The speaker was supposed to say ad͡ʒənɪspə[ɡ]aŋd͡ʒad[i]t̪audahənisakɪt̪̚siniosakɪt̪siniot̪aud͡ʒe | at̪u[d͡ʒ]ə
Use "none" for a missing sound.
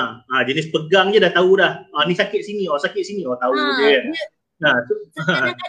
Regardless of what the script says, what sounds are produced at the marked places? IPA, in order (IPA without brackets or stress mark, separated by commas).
ɡ, a, none